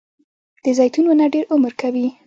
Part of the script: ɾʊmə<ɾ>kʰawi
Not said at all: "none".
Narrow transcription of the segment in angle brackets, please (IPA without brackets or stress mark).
ɾ